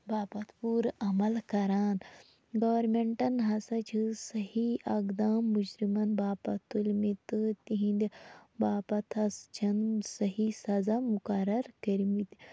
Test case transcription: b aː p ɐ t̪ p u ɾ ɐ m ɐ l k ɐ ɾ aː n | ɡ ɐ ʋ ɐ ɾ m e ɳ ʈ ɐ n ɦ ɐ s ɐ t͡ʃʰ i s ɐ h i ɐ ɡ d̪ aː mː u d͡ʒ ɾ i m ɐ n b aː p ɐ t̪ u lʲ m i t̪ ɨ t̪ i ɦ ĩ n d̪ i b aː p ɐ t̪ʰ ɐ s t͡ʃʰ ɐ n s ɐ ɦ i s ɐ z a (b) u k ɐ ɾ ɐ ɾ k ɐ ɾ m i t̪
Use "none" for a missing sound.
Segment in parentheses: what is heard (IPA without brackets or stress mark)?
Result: m